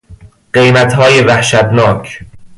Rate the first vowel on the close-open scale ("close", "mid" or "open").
mid